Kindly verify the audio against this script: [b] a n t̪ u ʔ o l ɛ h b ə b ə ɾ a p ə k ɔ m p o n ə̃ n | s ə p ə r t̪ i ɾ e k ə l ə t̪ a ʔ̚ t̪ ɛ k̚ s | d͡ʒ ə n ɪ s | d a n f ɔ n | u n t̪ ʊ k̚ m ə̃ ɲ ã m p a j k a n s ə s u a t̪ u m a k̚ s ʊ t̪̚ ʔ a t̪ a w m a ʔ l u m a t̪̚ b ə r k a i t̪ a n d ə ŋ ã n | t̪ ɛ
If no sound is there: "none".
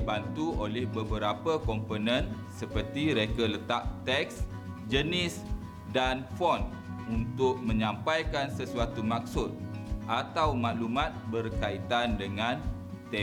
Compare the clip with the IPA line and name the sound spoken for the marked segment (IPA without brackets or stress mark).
b